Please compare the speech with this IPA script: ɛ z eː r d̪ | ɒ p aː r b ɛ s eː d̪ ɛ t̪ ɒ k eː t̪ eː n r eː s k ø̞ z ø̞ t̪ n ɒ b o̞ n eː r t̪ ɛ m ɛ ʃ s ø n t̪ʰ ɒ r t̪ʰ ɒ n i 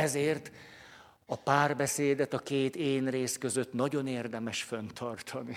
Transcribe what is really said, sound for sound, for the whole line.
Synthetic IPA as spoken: ɛ z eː r t̪ | ɒ p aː r b ɛ s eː d̪ ɛ t̪ ɒ k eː t̪ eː n r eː s k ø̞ z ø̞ t̪ n ɒ ɟ o̞ n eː r d̪ ɛ m ɛ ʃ f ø n t̪ʰ ɒ r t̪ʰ ɒ n i